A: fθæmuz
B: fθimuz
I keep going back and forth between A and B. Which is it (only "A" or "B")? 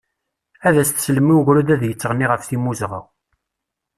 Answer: B